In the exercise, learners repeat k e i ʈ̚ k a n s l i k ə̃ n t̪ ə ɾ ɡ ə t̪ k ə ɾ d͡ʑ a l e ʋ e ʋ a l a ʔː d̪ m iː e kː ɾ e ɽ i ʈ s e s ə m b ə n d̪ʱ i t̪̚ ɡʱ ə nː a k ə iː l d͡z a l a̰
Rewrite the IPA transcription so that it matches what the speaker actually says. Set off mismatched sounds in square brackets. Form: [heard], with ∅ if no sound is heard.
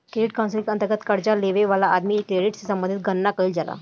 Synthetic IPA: k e i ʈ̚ k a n s l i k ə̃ n t̪ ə ɾ ɡ ə t̪ k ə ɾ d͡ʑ a l e ʋ e ʋ a l a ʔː d̪ m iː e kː ɾ e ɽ i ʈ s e s ə m b ə n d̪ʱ i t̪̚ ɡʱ ə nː a k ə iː l d͡z a l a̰